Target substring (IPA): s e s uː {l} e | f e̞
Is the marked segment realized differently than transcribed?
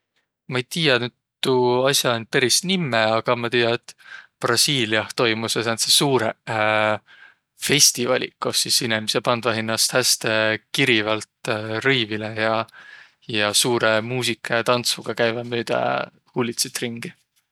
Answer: yes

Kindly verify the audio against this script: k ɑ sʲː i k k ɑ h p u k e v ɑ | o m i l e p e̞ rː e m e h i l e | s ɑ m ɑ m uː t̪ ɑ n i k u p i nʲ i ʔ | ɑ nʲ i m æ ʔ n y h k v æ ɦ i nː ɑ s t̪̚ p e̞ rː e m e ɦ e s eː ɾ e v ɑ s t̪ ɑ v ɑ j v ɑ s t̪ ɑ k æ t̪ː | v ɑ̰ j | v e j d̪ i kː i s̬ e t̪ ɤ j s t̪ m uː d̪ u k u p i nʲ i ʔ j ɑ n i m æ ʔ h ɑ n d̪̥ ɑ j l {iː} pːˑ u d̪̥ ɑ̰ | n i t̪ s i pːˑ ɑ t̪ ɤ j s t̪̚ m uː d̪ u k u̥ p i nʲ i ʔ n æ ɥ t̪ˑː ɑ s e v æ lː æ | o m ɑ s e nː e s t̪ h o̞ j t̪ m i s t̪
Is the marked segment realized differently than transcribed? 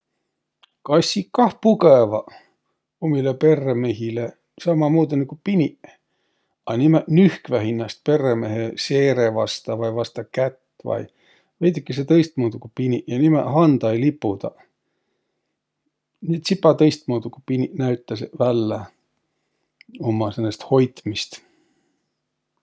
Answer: yes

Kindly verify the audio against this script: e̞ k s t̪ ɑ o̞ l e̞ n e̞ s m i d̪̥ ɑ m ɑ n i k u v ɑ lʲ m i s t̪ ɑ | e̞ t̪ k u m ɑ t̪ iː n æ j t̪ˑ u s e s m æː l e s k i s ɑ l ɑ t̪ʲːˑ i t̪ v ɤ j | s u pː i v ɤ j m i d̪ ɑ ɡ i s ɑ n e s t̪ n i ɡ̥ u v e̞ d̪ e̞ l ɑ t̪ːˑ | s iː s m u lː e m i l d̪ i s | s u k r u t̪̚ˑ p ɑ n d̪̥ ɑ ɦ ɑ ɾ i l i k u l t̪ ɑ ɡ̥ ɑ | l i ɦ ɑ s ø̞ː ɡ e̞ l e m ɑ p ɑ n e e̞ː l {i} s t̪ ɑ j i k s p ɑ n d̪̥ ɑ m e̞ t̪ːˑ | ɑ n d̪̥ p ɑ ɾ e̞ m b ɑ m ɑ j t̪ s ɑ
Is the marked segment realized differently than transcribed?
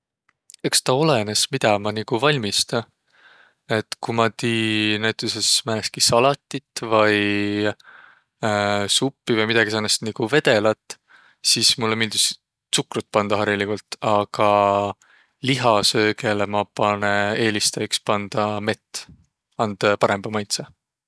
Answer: no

